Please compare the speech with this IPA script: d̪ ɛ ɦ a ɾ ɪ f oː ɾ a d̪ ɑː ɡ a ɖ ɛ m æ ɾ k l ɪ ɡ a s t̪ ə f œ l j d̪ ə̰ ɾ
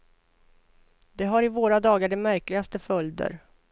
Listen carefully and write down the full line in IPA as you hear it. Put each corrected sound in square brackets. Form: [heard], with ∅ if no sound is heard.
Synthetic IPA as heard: d̪ ɛ ɦ a ɾ ɪ [v] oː ɾ a d̪ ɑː ɡ a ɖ ɛ m æ ɾ k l ɪ ɡ a s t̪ ə f œ l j d̪ ə̰ ɾ